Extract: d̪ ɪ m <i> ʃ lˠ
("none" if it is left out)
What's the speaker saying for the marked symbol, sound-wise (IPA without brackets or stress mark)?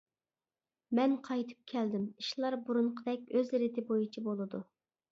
i